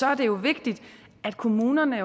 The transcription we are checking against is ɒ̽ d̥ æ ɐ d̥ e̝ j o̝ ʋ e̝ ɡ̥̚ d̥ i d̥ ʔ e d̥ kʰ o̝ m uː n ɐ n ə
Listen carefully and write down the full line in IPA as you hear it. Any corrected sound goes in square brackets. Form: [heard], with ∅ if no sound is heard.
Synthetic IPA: ɒ̽ [∅] æ ɐ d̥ e̝ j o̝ ʋ e̝ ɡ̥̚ d̥ i d̥ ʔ [æ] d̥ kʰ o̝ m uː n ɐ n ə